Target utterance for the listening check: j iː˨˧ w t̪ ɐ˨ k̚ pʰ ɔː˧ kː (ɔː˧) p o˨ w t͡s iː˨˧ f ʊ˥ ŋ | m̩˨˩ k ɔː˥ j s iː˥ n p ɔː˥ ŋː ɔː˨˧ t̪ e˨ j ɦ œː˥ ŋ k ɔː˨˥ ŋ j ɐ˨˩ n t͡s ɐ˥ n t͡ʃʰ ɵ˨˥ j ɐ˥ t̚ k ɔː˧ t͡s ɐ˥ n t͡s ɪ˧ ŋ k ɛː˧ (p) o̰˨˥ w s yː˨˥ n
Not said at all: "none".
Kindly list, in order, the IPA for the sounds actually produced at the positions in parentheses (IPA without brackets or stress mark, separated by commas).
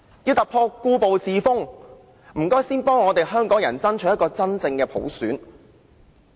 uː˧, pʰ